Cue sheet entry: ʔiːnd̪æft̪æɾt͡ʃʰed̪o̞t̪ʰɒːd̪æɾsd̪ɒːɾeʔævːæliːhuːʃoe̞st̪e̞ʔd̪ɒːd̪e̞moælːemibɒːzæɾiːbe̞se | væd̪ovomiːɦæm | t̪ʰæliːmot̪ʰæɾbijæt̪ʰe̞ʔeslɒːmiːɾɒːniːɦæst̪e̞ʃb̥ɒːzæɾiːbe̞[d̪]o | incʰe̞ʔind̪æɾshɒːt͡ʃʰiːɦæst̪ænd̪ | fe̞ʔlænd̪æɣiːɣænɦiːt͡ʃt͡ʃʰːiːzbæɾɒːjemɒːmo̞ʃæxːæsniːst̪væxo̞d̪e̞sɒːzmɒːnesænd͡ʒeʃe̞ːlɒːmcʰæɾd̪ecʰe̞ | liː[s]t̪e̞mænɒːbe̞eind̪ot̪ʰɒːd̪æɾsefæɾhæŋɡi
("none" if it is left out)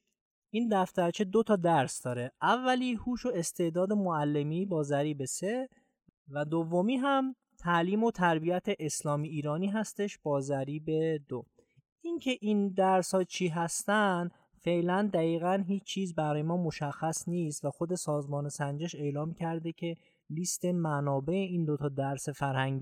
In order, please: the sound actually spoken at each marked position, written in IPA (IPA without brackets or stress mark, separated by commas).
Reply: d̪, s